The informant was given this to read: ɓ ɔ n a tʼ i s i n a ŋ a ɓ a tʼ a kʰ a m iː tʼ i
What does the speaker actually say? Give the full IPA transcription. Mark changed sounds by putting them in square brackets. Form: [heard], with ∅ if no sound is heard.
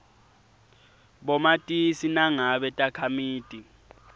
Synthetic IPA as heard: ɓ ɔ [m] a tʼ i s i n a ŋ a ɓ [ɛ] tʼ a kʰ a m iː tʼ i